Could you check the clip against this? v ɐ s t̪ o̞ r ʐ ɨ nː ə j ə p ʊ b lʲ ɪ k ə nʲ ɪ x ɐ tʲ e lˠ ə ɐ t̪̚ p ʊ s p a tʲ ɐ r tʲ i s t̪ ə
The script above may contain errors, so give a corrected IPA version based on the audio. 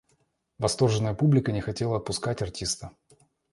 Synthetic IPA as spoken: v ɐ s t̪ o̞ r ʐ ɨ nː ə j ə p u b lʲ ɪ k ə nʲ ɪ x ɐ tʲ e lˠ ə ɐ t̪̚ p ʊ s k a tʲ ɐ r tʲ i s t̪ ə